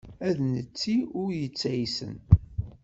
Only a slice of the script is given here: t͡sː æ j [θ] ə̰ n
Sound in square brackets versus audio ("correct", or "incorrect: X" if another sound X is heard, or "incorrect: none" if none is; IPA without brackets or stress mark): incorrect: s